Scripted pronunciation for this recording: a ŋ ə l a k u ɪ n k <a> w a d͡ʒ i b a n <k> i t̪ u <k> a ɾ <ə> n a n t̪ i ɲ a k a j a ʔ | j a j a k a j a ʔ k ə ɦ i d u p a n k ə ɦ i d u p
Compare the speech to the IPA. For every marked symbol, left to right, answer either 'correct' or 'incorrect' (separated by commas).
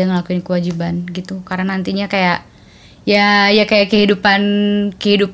incorrect, incorrect, correct, incorrect